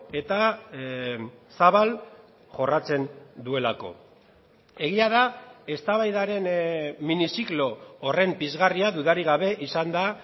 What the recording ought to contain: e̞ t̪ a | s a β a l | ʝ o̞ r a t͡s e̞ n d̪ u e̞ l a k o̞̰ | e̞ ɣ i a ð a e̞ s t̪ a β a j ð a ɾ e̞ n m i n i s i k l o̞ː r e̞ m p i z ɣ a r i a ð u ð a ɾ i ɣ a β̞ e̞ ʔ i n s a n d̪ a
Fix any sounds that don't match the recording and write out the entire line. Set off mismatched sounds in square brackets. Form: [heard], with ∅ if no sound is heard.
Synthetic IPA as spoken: e̞ t̪ a | s a β a l | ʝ o̞ r a t͡s e̞ n d̪ u e̞ l a k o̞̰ | e̞ ɣ i a ð a e̞ s t̪ a β a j ð a ɾ e̞ n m i n i s i k l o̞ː r e̞ m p i z ɣ a r i a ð u ð a ɾ i ɣ a β̞ e̞ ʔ i [∅] s a n d̪ a